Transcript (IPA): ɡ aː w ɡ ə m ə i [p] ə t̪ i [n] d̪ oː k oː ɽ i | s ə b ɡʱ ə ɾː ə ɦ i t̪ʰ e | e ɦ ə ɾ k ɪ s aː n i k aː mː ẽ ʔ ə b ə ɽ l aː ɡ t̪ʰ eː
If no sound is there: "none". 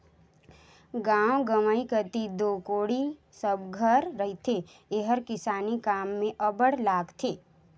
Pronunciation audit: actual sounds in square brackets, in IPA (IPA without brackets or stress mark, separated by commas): k, none